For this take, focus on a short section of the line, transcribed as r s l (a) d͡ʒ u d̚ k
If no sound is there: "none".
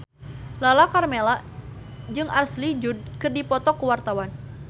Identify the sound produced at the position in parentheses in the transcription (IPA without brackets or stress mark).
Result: i